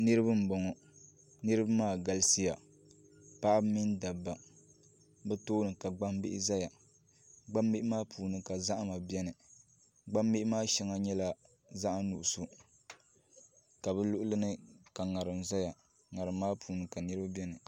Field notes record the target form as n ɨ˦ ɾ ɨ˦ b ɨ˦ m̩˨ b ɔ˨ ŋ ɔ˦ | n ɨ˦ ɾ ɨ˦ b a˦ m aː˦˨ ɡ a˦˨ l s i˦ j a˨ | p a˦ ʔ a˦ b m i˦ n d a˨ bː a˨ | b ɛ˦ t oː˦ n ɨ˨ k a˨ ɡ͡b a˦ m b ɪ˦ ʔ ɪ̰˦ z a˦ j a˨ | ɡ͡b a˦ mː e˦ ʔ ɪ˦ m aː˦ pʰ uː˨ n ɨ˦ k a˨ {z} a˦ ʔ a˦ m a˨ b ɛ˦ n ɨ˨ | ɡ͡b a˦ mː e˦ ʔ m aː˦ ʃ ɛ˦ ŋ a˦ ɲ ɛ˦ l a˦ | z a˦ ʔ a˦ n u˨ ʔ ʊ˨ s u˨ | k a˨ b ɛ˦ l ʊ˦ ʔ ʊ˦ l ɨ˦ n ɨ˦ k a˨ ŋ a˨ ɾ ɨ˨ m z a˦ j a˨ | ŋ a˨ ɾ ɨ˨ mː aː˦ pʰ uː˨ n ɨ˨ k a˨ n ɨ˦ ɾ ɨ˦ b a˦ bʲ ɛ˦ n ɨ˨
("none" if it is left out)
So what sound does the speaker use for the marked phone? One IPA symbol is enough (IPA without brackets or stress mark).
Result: z